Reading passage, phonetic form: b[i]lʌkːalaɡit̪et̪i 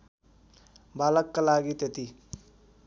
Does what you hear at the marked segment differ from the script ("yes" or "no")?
yes